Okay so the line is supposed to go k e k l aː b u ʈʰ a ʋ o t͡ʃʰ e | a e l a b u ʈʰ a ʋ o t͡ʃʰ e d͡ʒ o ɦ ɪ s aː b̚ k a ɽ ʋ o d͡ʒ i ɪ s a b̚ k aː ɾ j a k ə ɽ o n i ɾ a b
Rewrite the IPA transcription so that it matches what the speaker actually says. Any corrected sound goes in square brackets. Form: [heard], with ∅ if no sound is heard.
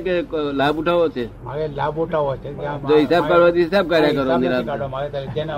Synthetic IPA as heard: k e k l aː b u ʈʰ a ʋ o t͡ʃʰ e | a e l a b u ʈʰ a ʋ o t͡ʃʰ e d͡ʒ o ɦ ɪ s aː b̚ k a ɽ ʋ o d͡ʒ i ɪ s a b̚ k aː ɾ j a k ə [ɾ] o n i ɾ a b